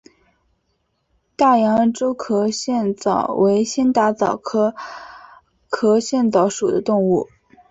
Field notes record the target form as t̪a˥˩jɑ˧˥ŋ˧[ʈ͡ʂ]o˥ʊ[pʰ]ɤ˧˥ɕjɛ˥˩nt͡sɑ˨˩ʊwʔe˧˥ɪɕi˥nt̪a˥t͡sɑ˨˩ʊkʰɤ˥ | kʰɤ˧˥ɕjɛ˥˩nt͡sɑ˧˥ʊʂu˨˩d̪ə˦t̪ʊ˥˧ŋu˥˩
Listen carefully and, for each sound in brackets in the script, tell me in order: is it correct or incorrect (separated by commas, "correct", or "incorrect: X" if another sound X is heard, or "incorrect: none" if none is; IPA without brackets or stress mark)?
correct, incorrect: kʰ